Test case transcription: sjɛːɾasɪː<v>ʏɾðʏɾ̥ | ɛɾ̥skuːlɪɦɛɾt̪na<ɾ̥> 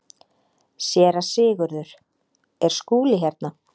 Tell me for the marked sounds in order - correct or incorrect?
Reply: incorrect: ɣ, incorrect: none

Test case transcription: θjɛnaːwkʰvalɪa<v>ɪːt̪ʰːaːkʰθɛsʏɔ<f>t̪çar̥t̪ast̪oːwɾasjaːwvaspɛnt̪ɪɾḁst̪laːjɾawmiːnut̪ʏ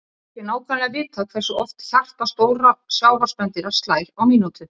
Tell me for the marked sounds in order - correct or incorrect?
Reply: correct, correct

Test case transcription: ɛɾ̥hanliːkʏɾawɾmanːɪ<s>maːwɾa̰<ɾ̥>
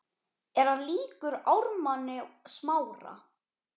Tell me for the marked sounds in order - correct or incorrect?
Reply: correct, incorrect: none

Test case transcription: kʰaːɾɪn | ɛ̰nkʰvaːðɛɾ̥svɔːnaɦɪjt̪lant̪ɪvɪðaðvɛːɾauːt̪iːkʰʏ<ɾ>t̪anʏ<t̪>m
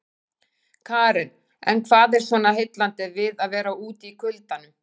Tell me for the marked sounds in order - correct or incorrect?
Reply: incorrect: l, incorrect: none

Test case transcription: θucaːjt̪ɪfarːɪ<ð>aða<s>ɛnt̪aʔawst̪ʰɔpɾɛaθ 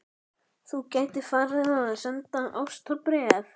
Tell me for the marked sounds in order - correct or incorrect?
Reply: incorrect: θ, correct

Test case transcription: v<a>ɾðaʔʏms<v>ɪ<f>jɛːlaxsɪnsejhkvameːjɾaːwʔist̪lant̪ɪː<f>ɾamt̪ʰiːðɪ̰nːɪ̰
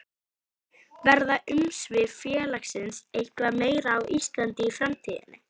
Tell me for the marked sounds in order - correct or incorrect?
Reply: incorrect: ɛ, correct, correct, correct

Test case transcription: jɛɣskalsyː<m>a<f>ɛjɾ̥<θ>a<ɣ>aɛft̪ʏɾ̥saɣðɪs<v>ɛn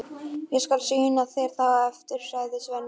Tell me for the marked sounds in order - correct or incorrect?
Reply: incorrect: n, incorrect: θ, correct, correct, correct

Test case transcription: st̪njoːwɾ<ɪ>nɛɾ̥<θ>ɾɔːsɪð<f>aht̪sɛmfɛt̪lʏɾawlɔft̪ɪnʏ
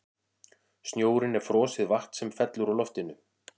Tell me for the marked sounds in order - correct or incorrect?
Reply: correct, incorrect: f, incorrect: v

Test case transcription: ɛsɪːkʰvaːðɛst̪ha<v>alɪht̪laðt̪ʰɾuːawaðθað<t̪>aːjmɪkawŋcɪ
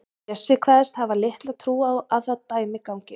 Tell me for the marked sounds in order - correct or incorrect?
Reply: correct, correct

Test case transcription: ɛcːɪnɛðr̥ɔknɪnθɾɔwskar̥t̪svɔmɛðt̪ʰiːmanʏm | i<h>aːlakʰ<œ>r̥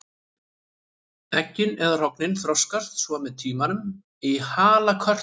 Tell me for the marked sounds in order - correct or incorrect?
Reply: correct, correct

